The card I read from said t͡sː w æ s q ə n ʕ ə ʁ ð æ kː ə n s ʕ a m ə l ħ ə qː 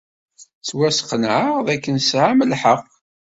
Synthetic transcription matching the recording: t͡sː w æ s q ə n ʕ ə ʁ ð æ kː ə n s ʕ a m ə l ħ ə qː